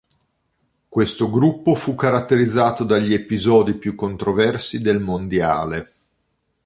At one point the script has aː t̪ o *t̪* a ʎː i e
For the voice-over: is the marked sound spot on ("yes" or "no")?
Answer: no